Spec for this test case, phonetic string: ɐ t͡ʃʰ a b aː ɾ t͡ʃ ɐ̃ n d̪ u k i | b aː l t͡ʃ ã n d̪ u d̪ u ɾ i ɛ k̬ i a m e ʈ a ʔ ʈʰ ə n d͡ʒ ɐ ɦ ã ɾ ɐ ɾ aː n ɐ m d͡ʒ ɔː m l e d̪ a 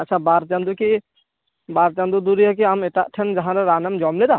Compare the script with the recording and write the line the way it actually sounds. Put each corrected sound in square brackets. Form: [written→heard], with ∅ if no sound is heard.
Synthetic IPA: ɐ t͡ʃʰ a b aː ɾ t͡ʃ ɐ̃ n d̪ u k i | b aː [l→ɾ] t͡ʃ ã n d̪ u d̪ u ɾ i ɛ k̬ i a m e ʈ a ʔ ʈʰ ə n d͡ʒ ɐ ɦ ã ɾ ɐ ɾ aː n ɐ m d͡ʒ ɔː m l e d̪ a